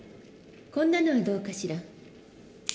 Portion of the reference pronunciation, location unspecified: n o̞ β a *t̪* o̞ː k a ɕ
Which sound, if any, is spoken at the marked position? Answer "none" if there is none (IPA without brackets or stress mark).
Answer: d̪